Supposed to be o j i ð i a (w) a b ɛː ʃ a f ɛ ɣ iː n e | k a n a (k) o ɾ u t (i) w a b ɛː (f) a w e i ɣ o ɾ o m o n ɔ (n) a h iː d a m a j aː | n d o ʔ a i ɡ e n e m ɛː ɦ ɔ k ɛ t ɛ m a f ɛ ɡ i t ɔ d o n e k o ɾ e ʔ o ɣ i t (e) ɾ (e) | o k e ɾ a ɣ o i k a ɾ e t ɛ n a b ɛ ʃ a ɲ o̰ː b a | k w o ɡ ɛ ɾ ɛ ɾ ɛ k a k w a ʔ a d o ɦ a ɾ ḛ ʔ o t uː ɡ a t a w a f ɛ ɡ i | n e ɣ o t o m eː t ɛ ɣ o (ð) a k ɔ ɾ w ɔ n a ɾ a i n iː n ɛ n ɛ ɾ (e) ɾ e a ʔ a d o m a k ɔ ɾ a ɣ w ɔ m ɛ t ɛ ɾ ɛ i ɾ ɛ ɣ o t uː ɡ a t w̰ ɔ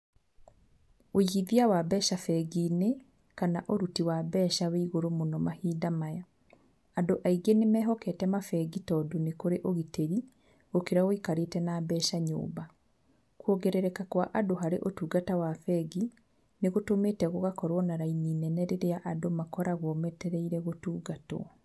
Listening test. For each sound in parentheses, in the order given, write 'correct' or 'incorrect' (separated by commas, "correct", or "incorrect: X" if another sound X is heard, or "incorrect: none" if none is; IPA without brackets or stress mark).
correct, incorrect: ʔ, correct, incorrect: ʃ, incorrect: m, correct, incorrect: i, incorrect: ɣ, correct